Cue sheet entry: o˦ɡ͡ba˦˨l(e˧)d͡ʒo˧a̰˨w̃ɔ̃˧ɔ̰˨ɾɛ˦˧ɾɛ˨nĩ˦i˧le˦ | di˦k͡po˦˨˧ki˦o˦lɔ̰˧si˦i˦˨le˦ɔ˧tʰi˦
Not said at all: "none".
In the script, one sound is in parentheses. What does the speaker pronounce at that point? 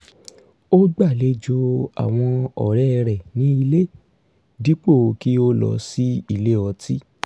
e˧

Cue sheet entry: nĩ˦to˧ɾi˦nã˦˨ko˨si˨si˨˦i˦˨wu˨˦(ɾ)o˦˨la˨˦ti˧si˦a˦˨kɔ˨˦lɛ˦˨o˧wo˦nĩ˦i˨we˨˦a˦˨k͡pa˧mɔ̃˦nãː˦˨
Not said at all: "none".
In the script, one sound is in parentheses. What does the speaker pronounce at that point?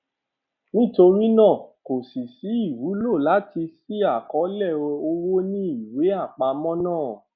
l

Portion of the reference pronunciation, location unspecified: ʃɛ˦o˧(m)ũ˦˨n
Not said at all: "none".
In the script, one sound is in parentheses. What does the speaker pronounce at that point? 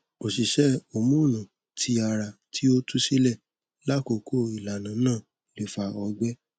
m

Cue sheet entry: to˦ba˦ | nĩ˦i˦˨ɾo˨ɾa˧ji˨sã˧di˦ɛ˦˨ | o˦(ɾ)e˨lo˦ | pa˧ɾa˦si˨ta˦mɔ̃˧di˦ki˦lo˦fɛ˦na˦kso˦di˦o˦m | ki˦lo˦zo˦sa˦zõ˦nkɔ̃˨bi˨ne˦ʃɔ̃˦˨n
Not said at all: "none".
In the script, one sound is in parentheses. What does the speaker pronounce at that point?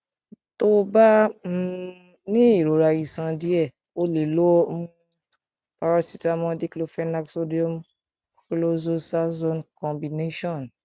l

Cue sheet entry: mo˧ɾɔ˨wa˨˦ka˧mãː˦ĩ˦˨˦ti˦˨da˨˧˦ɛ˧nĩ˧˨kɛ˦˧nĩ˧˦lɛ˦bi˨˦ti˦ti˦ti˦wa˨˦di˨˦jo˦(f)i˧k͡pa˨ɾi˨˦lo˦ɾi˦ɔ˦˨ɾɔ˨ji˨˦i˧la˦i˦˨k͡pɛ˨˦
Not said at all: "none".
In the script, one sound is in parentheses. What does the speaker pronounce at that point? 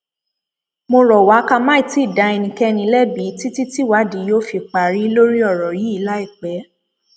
f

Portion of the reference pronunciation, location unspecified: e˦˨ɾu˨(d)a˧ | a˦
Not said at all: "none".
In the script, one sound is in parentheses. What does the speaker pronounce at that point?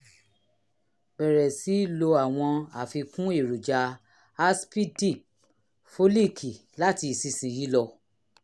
d͡ʒ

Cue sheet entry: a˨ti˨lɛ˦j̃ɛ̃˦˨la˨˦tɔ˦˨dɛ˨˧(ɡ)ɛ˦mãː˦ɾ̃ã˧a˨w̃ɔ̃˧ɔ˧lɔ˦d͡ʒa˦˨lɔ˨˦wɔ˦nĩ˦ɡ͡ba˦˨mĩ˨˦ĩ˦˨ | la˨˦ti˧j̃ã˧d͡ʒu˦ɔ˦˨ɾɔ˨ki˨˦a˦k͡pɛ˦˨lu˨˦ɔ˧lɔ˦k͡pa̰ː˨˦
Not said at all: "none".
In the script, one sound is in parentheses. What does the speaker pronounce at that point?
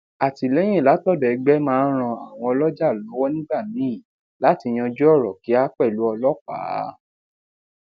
ɡ͡b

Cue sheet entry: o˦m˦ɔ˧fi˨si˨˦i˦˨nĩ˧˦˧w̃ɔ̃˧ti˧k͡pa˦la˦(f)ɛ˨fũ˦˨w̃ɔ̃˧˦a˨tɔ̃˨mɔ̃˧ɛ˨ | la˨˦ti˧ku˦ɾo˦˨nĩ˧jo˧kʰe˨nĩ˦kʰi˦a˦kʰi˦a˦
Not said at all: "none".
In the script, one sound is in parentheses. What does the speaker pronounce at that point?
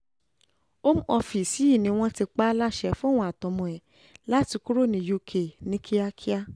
ʃ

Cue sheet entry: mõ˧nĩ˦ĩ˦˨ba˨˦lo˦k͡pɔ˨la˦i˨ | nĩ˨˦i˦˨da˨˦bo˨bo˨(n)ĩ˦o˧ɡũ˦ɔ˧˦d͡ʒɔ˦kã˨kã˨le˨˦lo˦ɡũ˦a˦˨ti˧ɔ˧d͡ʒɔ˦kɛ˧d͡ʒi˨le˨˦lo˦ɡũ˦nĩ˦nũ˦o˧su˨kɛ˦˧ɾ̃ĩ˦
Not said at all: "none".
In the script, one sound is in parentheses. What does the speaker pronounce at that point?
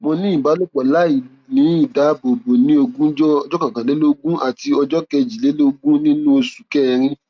n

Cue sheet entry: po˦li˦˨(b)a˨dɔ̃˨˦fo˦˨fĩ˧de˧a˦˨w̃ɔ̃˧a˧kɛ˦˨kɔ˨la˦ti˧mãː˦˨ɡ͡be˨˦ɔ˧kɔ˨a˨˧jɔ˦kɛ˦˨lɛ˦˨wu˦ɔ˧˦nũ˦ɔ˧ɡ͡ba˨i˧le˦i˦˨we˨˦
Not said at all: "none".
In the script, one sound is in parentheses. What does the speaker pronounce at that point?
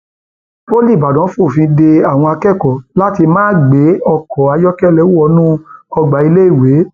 b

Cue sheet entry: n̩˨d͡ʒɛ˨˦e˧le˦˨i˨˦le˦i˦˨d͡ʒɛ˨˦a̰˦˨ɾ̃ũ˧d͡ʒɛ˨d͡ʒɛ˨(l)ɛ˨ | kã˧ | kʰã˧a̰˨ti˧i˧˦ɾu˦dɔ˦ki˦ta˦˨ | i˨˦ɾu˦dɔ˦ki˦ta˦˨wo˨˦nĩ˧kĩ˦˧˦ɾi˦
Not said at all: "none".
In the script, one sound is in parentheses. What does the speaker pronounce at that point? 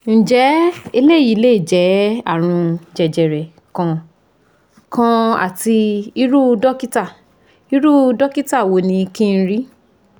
ɾ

